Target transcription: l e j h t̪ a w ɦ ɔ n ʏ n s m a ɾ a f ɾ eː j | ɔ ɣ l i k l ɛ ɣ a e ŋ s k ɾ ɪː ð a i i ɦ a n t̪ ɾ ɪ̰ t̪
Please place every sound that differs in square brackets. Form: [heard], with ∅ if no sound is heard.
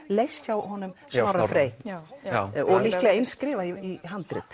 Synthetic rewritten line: l e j [s] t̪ a w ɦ ɔ n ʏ [m] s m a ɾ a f ɾ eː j | ɔ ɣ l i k l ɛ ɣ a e [n] s k ɾ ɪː [v] a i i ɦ a n t̪ ɾ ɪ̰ t̪